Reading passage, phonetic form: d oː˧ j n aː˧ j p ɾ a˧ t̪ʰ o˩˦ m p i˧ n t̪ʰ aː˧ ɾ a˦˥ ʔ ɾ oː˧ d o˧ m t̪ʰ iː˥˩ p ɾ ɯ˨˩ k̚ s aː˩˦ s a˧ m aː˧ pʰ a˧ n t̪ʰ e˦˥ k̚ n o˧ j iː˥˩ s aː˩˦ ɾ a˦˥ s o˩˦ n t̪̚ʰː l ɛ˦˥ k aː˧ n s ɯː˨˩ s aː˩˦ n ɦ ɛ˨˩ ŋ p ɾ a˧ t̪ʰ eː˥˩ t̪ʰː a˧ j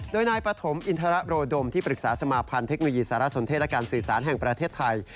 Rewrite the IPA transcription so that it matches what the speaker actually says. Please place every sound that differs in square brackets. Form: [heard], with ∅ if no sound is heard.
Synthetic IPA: d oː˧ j n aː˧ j p ɾ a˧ t̪ʰ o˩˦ m [ʔ] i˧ n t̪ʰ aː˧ ɾ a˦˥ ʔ ɾ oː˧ d o˧ m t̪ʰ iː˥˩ p ɾ ɯ˨˩ k̚ s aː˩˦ s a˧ m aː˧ pʰ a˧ n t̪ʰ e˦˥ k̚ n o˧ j [iː˧] s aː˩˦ ɾ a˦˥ s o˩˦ n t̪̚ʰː l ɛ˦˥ k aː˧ n s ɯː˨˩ s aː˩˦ n ɦ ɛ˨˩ ŋ p ɾ a˧ t̪ʰ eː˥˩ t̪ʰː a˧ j